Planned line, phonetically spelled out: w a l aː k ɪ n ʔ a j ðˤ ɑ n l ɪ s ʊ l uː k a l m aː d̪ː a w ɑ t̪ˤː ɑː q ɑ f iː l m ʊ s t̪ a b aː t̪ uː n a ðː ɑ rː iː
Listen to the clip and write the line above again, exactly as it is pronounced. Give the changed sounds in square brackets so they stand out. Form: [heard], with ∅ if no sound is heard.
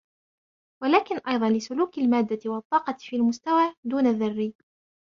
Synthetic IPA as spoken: w a l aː k ɪ n ʔ [ɑ] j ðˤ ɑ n l ɪ s ʊ l uː k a l m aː d̪ː a w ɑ t̪ˤː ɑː q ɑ f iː l m ʊ s t̪ a [w] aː [d̪] uː n a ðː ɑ rː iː